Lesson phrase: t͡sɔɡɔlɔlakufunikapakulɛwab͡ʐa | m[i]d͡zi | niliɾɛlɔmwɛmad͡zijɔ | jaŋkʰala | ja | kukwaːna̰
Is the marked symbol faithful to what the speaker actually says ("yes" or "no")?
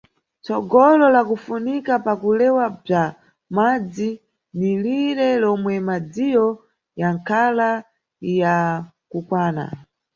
no